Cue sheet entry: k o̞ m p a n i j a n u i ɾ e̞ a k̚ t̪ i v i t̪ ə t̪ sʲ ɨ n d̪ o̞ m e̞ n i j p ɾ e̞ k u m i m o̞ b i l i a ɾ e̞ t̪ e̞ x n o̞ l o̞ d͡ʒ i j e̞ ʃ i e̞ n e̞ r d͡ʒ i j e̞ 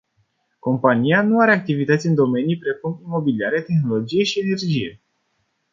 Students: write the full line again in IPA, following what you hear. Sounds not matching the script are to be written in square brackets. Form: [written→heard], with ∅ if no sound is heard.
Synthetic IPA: k o̞ m p a n i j a n u [i→a] ɾ e̞ a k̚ t̪ i v i t̪ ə t̪ sʲ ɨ n d̪ o̞ m e̞ n i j p ɾ e̞ k u m i m o̞ b i l i a ɾ e̞ t̪ e̞ x n o̞ l o̞ d͡ʒ i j e̞ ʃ i e̞ n e̞ r d͡ʒ i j e̞